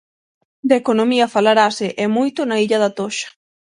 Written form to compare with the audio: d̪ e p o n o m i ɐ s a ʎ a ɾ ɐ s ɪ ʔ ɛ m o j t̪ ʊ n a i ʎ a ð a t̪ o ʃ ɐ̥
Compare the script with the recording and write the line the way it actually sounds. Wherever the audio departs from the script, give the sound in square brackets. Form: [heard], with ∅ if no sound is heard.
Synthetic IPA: d̪ e [k] o n o m i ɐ [f] a [l] a ɾ [a] s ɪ ʔ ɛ m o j t̪ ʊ n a i ʎ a ð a t̪ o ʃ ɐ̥